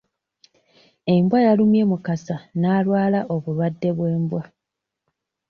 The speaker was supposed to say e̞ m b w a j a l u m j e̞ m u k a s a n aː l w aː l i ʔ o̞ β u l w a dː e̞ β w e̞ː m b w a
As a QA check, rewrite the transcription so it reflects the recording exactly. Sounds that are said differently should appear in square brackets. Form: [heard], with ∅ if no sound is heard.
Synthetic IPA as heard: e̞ m b w a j a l u m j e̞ m u k a s a n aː l w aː l [a] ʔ o̞ β u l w a dː e̞ β w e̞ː m b w a